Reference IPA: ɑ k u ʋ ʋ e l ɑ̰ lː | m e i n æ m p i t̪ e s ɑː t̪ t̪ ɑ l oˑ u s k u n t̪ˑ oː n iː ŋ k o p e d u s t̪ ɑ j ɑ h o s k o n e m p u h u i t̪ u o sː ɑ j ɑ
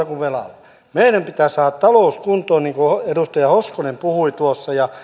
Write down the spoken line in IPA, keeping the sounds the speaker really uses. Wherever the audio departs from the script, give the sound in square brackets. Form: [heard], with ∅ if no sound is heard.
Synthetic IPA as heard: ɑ k u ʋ ʋ e l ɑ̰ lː | m e i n æ m p i t̪ [æ] s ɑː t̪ t̪ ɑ l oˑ u s k u n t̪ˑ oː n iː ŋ k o [∅] e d u s t̪ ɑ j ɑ h o s k o n e m p u h u i t̪ u o sː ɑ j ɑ

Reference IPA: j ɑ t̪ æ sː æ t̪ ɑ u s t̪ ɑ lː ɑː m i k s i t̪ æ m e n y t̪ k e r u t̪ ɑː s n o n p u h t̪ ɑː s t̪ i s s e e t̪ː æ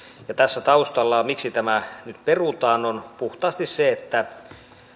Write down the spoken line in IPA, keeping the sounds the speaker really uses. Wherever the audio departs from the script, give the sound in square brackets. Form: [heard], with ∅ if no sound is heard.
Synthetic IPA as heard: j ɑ t̪ æ sː æ t̪ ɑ u s t̪ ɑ lː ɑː m i k s i t̪ æ m [æ] n y t̪ [p] e r u t̪ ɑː [∅] n o n p u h t̪ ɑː s t̪ i s s e e t̪ː æ

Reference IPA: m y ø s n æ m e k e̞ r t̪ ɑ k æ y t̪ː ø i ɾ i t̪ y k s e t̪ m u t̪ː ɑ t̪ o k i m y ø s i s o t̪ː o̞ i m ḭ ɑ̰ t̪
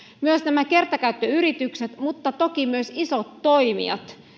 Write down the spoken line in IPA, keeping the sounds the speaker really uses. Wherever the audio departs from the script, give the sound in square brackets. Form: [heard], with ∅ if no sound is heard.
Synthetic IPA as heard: m y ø s n æ m [æ] k e̞ r t̪ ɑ k æ y t̪ː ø [y] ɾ i t̪ y k s e t̪ m u t̪ː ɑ t̪ o k i m y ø s i s o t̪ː o̞ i m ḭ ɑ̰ t̪

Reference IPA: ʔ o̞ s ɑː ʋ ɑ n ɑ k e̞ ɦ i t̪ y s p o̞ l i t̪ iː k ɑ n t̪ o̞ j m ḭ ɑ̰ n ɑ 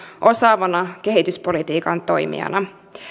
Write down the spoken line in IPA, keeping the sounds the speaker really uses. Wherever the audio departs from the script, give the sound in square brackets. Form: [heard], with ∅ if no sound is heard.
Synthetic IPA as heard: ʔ o̞ s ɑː ʋ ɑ n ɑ k e̞ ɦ i t̪ y s p o̞ l i t̪ iː k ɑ n t̪ o̞ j m ḭ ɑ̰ n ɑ

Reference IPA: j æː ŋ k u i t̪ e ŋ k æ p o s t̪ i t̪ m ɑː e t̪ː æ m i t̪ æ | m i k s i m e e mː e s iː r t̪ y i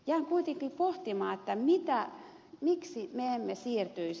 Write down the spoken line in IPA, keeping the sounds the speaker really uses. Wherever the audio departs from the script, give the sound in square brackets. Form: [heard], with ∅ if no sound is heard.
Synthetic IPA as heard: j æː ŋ k u i t̪ e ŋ k [i] p o [h] t̪ i [∅] m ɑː e t̪ː æ m i t̪ æ | m i k s i m e e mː e s iː r t̪ y i

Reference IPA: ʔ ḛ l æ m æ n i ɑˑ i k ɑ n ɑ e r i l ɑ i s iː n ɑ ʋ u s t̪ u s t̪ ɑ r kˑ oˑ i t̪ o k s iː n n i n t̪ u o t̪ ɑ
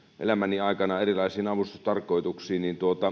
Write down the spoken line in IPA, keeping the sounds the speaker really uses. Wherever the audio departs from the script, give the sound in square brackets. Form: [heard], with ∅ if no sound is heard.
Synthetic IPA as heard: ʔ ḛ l æ m æ n i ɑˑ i k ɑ n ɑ e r i l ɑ i s iː n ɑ ʋ u s t̪ u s t̪ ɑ r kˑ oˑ i t̪ [u] k s iː n n i n t̪ u o t̪ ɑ

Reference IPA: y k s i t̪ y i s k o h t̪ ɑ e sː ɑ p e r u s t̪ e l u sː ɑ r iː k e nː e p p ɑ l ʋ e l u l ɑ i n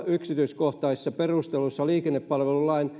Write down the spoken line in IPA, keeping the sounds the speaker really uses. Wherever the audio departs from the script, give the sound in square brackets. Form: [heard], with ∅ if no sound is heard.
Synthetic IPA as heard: y k s i t̪ y i s k o h t̪ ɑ [i] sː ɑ p e r u s t̪ e l u sː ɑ [l] iː k e nː e p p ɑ l ʋ e l u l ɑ i n

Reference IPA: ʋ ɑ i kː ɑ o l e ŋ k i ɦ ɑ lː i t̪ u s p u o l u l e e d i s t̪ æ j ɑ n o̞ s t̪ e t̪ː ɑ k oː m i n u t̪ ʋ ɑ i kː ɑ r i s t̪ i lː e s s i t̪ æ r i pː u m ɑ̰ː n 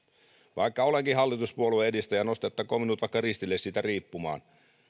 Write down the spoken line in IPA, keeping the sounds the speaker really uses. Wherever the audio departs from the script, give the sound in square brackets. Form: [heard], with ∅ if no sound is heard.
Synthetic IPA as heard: ʋ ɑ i kː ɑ o l e ŋ k i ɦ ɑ lː i t̪ u s p u o l u [∅] e e d i s t̪ æ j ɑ n o̞ s t̪ e t̪ː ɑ k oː m i n u t̪ ʋ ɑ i kː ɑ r i s t̪ i lː e s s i t̪ æ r [iː] pː u m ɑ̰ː n

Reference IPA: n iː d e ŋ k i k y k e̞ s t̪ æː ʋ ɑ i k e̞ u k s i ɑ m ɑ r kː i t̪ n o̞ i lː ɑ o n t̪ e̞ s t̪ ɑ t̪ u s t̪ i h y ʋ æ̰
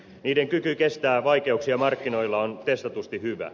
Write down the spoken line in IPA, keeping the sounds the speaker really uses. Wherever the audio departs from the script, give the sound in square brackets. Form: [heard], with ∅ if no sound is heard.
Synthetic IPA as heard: n iː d e ŋ k [y] k y k e̞ s t̪ æː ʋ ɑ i k e̞ u k s i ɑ m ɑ r kː i [∅] n o̞ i lː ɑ o n t̪ e̞ s t̪ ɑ t̪ u s t̪ i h y ʋ æ̰

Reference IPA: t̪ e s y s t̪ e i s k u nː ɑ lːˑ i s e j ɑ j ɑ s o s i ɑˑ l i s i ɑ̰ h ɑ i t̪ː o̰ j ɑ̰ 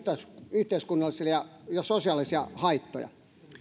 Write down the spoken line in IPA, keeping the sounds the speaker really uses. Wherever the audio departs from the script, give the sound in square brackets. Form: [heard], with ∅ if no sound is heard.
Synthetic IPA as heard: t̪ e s y [h] t̪ e i s k u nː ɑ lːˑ i s [i] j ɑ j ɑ s o s i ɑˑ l i s i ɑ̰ h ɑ i t̪ː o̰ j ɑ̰

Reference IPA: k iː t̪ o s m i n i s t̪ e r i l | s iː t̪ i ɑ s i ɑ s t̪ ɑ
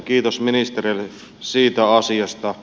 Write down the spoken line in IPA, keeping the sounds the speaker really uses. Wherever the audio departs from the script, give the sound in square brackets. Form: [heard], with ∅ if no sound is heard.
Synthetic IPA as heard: k iː t̪ o s m i n i s t̪ e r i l | s iː t̪ [æ] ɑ s i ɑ s t̪ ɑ

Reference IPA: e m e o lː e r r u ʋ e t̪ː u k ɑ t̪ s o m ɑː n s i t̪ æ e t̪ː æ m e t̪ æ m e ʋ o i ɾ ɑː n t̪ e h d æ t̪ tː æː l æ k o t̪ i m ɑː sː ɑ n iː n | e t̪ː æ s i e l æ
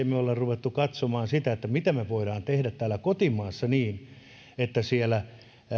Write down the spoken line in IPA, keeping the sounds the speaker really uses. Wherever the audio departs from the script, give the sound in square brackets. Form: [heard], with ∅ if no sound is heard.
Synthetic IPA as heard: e m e o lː e r r u ʋ e t̪ː u k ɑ t̪ s o m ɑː n s i t̪ æ e t̪ː æ m [i] t̪ æ m e ʋ o i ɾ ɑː n t̪ e h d æ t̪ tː æː l æ k o t̪ i m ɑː sː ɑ n iː n | e t̪ː æ s i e l æ

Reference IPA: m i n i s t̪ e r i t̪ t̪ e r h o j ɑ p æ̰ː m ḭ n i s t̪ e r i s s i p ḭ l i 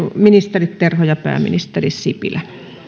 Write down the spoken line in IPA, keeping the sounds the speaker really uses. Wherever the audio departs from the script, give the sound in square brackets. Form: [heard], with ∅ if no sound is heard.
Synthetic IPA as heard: m i n i s t̪ e r i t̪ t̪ e r h o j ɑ p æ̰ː m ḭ n i s t̪ e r i s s i p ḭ l [æ]

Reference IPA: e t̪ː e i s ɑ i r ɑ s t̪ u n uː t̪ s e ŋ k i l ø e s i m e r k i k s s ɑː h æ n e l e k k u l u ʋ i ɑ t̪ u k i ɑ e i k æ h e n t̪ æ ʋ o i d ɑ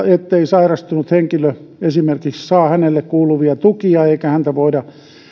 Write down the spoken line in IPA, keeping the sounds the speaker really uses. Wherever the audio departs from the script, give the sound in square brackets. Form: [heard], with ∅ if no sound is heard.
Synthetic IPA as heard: e t̪ː e i s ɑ i r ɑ s t̪ u n [u] t̪ [h] e ŋ k i l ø e s i m e r k i k s s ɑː h æ n e [lː] e k k [uː] l u ʋ i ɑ t̪ u k i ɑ e i k æ h [æ] n t̪ æ ʋ o i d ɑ

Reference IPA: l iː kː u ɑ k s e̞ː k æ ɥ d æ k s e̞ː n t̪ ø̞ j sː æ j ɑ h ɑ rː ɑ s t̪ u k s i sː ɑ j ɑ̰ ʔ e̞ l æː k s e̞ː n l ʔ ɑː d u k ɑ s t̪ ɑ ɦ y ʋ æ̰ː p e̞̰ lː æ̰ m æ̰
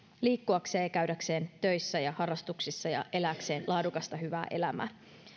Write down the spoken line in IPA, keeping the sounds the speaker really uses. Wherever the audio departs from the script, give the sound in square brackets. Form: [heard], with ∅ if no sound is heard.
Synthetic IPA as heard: l iː kː u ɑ k s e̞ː k æ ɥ d æ k s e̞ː n t̪ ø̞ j sː æ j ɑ h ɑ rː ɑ s t̪ u k s i sː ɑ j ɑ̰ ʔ e̞ l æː k s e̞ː n l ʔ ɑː d u k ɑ s t̪ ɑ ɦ y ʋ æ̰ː [ʔ] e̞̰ [l] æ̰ m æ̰

